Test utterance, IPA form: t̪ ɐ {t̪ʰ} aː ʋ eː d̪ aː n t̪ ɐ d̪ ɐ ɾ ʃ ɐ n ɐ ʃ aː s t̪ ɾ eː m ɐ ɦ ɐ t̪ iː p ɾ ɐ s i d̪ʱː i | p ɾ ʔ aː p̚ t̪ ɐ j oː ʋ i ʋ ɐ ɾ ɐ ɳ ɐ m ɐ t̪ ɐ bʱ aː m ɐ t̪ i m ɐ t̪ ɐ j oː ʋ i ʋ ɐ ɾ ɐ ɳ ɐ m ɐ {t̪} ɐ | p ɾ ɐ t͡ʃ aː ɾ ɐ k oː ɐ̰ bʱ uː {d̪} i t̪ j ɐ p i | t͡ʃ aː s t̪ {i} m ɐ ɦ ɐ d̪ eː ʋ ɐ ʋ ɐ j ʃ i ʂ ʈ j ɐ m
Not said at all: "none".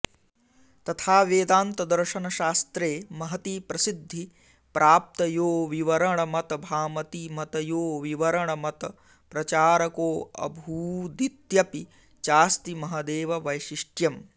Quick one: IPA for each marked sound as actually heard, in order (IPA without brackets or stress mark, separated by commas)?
t̪ʰ, t̪, d̪, i